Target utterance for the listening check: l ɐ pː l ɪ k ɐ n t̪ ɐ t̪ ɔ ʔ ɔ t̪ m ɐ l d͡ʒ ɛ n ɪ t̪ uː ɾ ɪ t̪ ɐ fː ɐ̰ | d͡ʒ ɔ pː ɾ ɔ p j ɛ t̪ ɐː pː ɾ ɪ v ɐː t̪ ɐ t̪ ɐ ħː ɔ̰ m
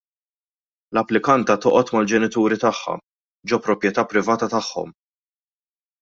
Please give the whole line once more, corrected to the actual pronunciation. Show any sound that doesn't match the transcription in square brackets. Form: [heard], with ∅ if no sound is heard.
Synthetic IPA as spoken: l ɐ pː l ɪ k ɐ n t̪ ɐ t̪ ɔ ʔ ɔ t̪ m ɐ l d͡ʒ ɛ n ɪ t̪ uː ɾ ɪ t̪ ɐ [ħː] ɐ̰ | d͡ʒ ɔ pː ɾ ɔ p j ɛ t̪ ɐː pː ɾ ɪ v ɐː t̪ ɐ t̪ ɐ ħː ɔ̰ m